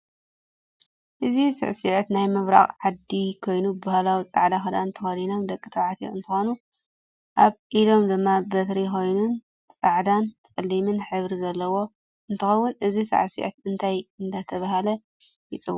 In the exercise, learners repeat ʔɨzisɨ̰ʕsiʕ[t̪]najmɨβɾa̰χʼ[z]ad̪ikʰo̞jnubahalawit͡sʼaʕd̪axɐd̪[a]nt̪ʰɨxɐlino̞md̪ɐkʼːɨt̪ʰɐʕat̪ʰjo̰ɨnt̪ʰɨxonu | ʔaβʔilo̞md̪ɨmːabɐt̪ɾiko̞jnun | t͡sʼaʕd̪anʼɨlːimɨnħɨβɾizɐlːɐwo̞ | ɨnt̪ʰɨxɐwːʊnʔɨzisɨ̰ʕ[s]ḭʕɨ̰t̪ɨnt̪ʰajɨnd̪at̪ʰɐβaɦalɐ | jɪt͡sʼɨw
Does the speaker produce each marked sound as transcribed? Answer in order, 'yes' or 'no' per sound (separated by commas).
yes, no, yes, yes